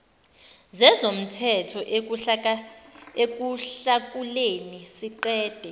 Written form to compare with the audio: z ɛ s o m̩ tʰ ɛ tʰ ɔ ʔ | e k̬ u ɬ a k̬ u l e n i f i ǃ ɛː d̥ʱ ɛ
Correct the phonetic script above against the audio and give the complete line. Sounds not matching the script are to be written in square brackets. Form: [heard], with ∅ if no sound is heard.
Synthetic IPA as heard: z ɛ [z] o m̩ tʰ ɛ tʰ ɔ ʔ | e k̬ u ɬ a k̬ u l e n i [s] i ǃ ɛː d̥ʱ ɛ